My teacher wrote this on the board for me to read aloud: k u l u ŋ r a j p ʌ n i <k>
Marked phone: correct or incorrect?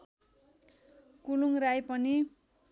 incorrect